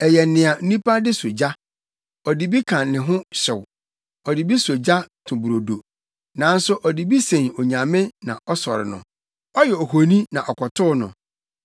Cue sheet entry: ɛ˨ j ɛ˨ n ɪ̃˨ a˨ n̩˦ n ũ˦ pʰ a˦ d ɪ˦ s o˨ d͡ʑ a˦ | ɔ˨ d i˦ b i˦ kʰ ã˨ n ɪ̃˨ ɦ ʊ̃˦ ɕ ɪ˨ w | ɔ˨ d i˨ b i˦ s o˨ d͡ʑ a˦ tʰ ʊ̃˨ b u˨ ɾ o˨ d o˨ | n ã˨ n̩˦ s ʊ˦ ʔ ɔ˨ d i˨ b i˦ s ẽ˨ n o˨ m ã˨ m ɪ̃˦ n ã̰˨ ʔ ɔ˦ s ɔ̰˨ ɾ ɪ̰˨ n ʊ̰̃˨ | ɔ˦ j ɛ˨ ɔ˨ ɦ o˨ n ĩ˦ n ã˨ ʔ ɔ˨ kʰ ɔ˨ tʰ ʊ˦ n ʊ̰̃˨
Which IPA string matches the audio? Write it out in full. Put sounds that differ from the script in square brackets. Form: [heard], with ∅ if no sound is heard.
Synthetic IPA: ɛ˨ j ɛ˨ n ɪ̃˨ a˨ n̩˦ n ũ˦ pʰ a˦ d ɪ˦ s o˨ d͡ʑ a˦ | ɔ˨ d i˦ b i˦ kʰ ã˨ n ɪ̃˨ ɦ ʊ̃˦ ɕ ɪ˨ w | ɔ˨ d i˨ b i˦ s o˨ d͡ʑ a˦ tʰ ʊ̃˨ b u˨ ɾ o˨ d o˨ | n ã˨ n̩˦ s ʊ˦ ʔ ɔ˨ d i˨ b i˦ s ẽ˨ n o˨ [ɲ] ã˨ m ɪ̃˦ n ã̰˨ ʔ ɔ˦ s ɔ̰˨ ɾ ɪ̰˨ n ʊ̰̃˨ | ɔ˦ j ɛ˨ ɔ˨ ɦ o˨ n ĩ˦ n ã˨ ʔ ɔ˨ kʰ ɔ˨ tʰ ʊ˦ n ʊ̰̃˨